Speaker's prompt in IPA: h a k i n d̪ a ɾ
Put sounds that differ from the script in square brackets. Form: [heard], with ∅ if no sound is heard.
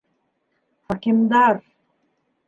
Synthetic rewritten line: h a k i [m] d̪ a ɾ